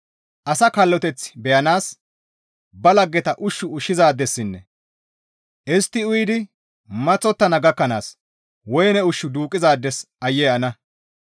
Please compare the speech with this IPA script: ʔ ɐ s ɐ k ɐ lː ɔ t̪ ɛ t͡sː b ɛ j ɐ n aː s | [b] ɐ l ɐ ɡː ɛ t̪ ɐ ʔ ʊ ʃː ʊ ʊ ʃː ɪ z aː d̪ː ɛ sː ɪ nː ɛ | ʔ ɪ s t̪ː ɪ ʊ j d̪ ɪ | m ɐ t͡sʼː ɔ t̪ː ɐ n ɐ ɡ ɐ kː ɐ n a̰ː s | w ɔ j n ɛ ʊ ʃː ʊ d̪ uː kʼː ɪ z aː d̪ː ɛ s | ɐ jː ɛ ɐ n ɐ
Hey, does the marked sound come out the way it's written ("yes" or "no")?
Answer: yes